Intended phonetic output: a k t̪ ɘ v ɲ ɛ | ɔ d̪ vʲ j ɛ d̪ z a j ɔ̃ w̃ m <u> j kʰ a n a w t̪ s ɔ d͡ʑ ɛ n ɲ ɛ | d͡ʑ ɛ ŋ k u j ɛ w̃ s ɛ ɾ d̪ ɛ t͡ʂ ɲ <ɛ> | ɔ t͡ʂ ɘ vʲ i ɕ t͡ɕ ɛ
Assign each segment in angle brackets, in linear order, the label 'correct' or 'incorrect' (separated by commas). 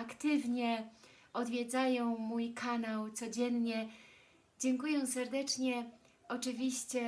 correct, correct